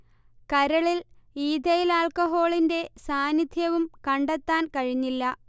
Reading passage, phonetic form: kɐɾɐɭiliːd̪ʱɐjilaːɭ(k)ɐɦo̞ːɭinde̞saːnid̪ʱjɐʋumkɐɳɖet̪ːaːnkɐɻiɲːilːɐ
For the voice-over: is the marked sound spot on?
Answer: yes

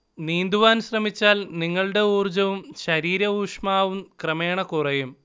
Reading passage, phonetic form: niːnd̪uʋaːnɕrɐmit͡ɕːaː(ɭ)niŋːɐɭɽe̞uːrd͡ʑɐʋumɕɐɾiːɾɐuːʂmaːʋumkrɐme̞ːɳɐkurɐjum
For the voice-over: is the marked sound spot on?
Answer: no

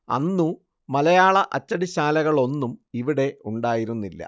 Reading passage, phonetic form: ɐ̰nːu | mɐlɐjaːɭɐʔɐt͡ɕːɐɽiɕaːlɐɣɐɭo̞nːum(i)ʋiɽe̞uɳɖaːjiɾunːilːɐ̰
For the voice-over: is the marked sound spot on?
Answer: yes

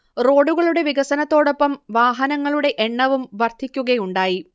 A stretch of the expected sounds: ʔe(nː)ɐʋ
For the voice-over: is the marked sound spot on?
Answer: no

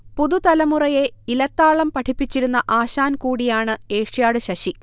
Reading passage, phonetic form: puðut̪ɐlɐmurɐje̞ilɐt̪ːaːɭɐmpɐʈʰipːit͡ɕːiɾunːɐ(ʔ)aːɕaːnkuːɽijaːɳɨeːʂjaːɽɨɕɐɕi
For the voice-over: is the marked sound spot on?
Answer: yes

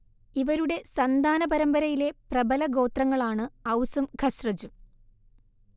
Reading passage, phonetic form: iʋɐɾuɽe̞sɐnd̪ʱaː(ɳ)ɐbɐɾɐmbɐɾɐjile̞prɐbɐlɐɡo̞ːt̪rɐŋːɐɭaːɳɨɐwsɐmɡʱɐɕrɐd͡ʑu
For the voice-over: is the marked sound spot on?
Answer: no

